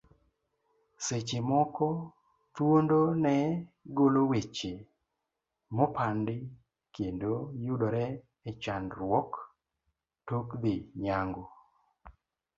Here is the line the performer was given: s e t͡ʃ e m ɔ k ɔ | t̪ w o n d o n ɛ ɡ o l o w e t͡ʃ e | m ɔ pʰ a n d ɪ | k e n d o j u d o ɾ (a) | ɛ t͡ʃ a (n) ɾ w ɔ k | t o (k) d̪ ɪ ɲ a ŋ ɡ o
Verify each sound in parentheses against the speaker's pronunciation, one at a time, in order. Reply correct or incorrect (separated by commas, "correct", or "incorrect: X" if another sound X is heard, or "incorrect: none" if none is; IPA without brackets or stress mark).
incorrect: ɛ, correct, correct